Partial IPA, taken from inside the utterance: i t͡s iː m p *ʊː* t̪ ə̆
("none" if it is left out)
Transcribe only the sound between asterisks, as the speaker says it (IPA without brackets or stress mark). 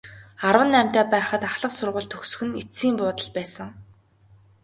ʊː